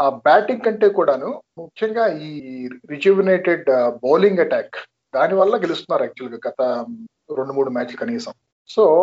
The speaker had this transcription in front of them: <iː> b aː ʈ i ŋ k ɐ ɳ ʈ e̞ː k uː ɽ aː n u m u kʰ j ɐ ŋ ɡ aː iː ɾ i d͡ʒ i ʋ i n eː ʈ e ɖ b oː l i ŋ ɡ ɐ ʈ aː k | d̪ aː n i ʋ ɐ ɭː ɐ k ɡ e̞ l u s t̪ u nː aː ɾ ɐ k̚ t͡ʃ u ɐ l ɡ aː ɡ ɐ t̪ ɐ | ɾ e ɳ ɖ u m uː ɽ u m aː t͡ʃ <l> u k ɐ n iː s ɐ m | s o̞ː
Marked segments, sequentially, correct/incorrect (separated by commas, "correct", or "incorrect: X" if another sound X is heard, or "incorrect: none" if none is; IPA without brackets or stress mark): incorrect: aː, correct